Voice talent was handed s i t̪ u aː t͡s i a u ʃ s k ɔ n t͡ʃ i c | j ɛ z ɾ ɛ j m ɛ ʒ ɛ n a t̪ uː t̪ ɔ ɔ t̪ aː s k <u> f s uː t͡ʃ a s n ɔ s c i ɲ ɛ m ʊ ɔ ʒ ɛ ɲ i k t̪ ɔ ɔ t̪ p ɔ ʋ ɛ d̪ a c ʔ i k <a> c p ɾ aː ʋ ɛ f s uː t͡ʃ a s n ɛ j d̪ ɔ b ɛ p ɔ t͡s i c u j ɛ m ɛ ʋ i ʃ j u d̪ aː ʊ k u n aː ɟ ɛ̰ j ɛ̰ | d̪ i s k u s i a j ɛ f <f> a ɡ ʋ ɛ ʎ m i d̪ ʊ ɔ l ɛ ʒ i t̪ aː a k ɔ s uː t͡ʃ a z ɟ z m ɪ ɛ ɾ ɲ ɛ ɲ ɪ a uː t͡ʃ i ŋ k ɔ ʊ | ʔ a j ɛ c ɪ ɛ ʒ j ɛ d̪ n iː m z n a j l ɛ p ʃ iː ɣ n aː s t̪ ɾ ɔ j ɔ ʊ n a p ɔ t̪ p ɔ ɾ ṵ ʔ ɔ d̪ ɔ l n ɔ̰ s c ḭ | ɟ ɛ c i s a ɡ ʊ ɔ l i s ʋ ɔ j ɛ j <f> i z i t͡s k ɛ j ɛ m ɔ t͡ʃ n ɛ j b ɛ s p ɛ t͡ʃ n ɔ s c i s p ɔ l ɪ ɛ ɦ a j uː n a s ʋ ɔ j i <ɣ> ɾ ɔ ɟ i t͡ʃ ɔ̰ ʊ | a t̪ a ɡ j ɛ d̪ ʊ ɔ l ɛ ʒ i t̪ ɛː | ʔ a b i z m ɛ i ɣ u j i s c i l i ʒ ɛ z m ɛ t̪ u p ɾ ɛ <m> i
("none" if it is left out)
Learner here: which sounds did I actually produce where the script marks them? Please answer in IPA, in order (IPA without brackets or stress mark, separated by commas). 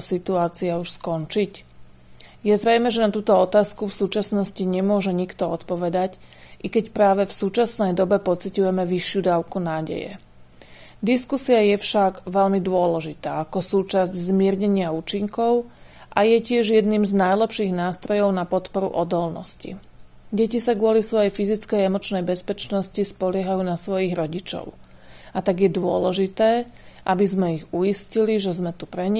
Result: u, ɛ, ʃ, f, ɣ, ɲ